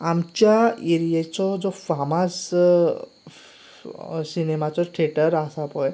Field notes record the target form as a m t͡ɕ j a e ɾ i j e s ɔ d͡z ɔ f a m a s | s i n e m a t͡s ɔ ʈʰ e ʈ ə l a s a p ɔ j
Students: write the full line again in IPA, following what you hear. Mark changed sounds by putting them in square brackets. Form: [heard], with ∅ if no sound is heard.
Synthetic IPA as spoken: a m t͡ɕ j a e ɾ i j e [t͡s] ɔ d͡z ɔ f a m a s | s i n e m a t͡s ɔ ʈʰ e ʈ ə [ɾ] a s a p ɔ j